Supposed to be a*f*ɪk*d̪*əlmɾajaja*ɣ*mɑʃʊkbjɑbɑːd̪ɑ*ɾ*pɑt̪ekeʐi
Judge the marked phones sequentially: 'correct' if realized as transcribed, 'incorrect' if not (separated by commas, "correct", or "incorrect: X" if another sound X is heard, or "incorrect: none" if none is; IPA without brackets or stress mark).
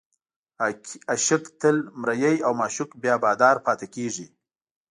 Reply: incorrect: ʃ, incorrect: t̪, incorrect: w, correct